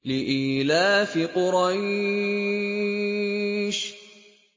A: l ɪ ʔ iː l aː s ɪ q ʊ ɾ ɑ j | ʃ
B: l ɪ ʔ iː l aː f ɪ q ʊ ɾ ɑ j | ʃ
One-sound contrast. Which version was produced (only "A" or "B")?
B